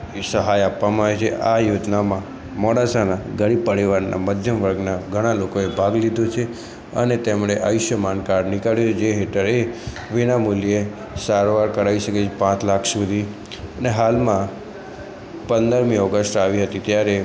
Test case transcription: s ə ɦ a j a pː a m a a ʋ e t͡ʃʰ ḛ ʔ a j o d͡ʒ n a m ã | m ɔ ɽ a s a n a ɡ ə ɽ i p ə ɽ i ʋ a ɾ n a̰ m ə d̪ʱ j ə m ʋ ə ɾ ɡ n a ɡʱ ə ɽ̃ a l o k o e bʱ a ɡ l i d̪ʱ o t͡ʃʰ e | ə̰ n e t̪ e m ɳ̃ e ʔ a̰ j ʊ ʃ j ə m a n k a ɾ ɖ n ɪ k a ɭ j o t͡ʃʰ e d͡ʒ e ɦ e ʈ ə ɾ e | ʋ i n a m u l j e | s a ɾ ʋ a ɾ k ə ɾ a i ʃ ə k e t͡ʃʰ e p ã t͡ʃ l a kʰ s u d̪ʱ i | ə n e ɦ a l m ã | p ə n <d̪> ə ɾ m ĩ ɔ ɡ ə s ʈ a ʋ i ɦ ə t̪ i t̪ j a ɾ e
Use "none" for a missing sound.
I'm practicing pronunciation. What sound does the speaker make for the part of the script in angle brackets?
d̪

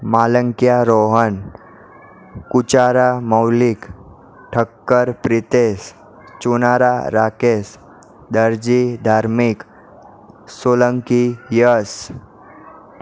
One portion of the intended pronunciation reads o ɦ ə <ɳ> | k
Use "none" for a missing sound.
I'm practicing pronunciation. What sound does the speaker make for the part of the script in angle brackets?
n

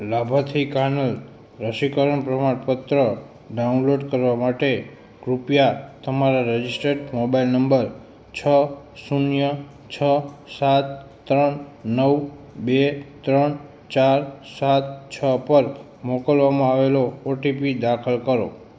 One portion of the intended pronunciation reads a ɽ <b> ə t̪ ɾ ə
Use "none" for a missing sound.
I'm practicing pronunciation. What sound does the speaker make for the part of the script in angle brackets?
p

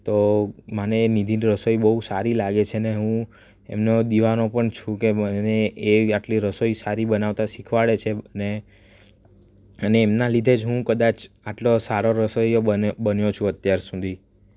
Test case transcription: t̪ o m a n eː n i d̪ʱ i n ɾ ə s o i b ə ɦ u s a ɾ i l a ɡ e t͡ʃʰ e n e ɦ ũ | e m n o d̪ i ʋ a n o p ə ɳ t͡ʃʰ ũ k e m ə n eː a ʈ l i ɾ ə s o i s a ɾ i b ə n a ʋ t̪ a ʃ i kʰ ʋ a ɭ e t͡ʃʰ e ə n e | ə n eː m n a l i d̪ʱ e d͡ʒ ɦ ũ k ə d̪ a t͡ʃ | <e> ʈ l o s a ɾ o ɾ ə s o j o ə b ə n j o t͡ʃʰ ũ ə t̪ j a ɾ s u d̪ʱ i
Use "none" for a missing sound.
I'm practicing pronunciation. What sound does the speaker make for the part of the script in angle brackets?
a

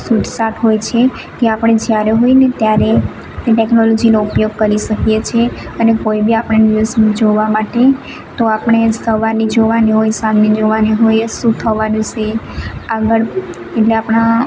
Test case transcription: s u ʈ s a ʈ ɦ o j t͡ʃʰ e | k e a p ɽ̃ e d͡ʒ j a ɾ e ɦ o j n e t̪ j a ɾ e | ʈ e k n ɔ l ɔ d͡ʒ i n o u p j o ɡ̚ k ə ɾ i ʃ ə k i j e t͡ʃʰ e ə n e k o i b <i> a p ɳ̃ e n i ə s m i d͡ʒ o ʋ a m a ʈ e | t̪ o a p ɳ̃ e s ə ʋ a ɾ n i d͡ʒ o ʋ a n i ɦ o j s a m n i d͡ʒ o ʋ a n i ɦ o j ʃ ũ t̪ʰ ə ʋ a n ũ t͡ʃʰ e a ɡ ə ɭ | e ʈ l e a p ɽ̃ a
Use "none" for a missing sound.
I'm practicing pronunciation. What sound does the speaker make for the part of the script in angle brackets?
i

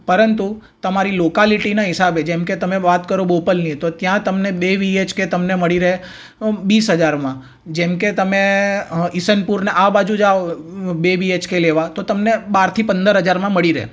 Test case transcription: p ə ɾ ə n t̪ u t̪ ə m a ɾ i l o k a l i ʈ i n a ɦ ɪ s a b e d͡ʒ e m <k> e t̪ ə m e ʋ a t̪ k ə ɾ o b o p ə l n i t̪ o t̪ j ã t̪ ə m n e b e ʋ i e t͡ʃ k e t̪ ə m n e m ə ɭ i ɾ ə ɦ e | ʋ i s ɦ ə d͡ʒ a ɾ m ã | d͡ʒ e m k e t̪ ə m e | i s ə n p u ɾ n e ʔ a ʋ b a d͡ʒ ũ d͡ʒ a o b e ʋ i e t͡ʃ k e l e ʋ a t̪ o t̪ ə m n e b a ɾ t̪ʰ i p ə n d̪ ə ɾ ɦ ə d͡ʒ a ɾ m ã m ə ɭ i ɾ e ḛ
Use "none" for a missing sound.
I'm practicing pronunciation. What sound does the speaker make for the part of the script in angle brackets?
k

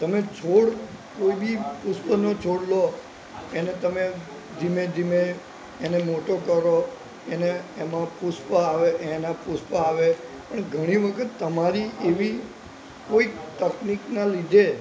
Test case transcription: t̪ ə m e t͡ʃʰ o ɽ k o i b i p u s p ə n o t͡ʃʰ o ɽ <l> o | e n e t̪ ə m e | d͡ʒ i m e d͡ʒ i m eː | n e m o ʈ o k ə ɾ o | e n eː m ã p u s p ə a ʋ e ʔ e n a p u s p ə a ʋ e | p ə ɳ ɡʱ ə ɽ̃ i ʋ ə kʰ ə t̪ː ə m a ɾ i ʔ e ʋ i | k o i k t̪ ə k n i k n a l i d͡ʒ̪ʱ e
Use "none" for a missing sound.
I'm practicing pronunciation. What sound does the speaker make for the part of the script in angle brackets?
l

